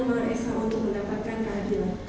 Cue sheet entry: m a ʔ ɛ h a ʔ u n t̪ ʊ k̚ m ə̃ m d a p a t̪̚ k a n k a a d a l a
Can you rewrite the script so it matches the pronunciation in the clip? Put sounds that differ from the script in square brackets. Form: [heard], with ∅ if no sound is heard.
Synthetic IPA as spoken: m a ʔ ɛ [s] a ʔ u n t̪ ʊ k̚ m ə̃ [n] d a p a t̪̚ k a n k a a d [i] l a